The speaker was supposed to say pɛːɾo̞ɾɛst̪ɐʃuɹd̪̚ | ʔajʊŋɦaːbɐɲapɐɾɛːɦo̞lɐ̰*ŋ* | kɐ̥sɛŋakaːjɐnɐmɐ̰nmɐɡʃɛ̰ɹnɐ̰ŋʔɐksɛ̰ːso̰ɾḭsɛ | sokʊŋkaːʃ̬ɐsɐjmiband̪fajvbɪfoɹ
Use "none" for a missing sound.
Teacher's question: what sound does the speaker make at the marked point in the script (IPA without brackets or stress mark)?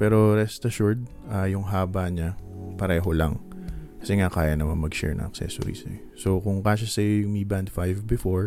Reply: ŋ